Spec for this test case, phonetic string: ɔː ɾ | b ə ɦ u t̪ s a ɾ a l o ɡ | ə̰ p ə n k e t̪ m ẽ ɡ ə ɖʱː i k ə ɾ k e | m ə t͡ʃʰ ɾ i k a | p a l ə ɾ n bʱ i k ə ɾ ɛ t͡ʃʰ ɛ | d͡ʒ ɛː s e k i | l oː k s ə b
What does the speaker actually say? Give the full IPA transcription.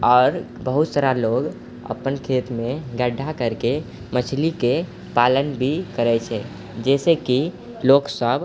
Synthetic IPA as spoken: ɔː ɾ | b ə ɦ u t̪ s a ɾ a l o ɡ | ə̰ p ə n kʰ e t̪ m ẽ ɡ ə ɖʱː a k ə ɾ k e | m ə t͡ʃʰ l i k e | p a l ə n bʱ i k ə ɾ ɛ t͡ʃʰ ɛ | d͡ʒ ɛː s e k i | l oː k s ə b